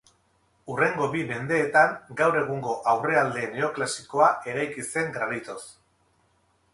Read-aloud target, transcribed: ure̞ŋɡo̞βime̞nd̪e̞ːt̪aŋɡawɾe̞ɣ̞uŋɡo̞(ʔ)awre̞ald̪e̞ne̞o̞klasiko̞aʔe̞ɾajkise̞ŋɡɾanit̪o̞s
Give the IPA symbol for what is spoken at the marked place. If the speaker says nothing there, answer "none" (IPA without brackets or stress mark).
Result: ʔ